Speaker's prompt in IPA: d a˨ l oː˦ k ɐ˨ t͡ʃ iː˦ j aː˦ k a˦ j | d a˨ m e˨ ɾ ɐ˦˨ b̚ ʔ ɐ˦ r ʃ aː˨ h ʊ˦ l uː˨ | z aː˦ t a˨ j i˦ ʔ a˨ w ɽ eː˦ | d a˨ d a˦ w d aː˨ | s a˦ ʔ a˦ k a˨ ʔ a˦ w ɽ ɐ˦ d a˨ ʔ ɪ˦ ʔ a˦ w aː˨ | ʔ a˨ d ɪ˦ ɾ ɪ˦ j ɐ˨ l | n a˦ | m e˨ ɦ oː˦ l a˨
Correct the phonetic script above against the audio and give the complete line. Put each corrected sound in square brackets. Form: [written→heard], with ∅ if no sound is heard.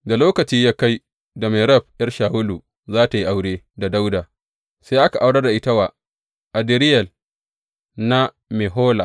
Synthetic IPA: d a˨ l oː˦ k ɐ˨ t͡ʃ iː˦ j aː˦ k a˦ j | d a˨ m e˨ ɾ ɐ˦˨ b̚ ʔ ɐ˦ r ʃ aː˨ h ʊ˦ l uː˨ | z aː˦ t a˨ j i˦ ʔ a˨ w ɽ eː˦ | d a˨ d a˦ w d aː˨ | s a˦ ʔ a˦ k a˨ ʔ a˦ w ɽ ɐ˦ d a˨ ʔ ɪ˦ [ʔ→t] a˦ w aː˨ | ʔ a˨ d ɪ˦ ɾ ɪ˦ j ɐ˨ l | n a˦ | m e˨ ɦ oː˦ l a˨